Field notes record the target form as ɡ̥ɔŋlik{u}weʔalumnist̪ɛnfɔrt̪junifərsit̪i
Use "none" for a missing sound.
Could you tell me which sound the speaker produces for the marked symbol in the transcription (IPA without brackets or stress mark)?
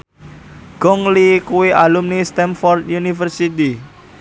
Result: u